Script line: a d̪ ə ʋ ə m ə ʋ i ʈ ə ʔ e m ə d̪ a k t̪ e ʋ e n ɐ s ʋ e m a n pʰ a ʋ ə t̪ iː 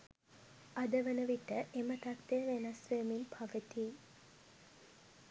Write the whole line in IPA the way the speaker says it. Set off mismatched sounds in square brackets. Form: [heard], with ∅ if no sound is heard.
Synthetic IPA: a d̪ ə ʋ ə [n] ə ʋ i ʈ ə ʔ e m ə [t̪] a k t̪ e ʋ e n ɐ s ʋ e m [i] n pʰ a ʋ ə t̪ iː